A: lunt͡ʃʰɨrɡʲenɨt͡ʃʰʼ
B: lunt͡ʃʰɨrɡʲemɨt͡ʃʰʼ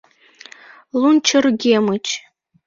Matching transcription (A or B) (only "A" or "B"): B